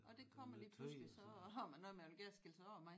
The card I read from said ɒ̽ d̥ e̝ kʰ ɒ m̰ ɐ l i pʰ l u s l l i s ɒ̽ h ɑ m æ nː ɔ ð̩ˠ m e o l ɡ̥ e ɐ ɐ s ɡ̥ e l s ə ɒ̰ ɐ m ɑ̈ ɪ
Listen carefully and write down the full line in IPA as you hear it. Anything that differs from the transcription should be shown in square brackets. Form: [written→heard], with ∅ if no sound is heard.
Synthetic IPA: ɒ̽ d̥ e̝ kʰ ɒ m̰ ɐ l [i→iː] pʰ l u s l l i s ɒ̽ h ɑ m æ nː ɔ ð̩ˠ m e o l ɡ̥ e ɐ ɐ s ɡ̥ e l s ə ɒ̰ ɐ m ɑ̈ ɪ